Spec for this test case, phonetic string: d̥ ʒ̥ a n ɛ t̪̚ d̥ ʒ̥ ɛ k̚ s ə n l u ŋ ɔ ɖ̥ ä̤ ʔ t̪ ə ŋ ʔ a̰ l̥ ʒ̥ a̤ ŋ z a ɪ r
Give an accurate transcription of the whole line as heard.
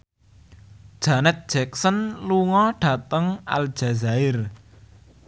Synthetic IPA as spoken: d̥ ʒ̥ a n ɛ t̪̚ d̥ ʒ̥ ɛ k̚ s ə n l u ŋ ɔ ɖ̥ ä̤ t̪ ə ŋ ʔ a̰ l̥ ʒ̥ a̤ z a ɪ r